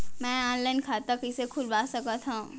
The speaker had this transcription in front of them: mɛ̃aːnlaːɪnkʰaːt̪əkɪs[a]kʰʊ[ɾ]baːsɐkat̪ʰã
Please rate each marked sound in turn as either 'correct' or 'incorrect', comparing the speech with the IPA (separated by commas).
incorrect, incorrect